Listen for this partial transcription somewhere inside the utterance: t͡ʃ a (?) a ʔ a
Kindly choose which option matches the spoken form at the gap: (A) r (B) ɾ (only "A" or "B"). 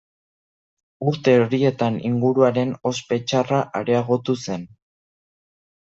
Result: A